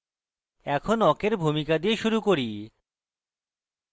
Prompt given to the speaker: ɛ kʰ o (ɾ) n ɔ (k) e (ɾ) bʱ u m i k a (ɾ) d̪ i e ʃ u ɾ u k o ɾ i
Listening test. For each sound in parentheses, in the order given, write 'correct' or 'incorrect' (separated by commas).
incorrect, correct, correct, incorrect